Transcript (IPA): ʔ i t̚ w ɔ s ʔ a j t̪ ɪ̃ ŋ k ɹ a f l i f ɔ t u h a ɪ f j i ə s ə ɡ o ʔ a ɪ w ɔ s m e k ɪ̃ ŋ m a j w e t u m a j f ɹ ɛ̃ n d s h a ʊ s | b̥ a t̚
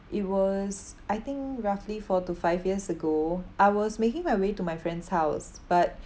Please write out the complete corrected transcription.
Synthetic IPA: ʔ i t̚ w ɔ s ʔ a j t̪ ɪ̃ ŋ k ɹ a f l i f ɔ t u f a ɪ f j i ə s ə ɡ o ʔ a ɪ w ɔ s m e k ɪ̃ ŋ m a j w e t u m a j f ɹ ɛ̃ n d s h a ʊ s | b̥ a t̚